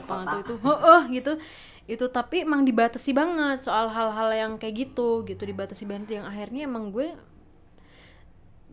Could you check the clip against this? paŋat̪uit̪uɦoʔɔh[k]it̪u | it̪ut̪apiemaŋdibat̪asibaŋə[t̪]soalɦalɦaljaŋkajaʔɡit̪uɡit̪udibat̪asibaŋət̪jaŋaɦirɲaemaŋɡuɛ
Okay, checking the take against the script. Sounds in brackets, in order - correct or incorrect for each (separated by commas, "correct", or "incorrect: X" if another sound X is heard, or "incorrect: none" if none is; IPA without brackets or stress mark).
incorrect: ɡ, correct